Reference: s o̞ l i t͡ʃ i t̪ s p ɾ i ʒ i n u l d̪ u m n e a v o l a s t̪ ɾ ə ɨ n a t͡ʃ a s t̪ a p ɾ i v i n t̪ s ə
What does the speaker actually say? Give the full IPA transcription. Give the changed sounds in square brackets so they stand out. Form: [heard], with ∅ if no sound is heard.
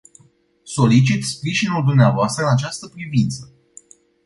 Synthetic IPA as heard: s o̞ l i t͡ʃ i t̪ s p ɾ i ʒ i n u l d̪ u m n e a v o [∅] a s t̪ ɾ ə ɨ n a t͡ʃ a s t̪ [ə] p ɾ i v i n t̪ s ə